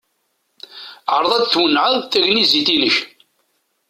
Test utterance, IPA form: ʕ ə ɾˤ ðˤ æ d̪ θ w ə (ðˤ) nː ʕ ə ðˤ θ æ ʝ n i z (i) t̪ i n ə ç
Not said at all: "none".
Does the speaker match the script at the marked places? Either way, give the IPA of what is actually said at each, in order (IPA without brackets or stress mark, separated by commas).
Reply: none, i